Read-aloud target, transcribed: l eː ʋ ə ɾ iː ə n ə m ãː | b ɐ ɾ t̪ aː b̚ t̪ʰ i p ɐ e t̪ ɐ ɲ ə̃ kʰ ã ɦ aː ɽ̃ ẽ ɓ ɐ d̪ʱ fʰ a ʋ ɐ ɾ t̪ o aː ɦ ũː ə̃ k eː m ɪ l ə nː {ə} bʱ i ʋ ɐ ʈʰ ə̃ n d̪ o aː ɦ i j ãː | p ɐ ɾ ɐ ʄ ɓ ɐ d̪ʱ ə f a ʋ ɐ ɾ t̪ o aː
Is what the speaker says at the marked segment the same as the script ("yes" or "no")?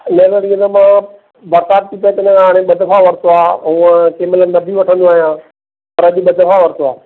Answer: no